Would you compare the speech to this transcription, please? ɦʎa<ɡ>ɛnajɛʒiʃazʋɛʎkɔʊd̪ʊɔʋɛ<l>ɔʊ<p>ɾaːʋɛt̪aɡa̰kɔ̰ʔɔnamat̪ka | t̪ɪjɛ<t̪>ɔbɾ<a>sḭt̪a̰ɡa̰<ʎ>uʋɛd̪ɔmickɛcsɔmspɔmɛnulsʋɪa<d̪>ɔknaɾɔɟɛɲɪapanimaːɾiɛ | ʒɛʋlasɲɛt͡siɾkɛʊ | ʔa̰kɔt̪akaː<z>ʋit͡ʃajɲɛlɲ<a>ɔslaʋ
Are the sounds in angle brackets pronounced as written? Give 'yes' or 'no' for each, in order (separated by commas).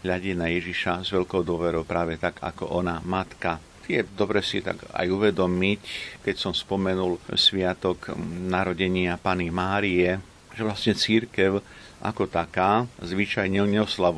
no, no, yes, no, no, no, no, yes, no